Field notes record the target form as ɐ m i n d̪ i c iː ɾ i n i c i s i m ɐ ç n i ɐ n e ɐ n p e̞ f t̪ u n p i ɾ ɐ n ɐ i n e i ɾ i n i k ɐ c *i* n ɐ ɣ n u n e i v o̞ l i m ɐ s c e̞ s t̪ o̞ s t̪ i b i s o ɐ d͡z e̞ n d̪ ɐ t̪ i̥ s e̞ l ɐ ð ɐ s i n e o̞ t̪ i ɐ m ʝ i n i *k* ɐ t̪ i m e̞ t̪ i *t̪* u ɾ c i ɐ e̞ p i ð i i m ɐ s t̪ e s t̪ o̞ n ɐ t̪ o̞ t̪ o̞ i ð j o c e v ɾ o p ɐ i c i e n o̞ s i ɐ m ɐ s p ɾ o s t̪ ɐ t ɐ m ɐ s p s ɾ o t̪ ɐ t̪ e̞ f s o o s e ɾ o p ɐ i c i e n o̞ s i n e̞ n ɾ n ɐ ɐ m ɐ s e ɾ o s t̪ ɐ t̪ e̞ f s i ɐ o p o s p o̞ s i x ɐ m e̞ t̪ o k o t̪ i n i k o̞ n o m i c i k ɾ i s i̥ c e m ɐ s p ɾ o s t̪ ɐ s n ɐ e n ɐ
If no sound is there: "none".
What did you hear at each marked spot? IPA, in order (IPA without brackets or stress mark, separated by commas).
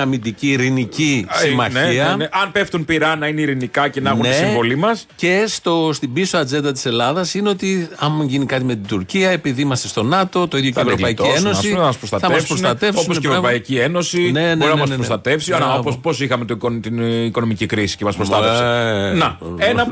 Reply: e, k, d̪